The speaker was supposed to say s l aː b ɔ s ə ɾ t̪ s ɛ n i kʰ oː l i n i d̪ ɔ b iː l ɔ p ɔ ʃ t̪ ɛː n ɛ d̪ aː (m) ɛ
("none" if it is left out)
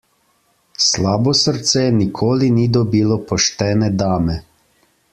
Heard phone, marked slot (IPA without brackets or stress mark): m